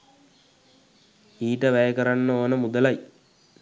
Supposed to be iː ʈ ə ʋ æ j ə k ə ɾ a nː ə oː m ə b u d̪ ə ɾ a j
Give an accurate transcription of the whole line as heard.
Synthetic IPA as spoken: iː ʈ ə ʋ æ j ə k ə ɾ a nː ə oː n ə m u d̪ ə l a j